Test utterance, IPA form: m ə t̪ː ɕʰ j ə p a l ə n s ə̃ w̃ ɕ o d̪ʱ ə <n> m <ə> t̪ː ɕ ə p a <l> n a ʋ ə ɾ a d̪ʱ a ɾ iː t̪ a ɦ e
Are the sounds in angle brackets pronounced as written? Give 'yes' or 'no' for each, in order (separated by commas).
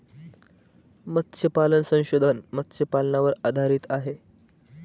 yes, yes, yes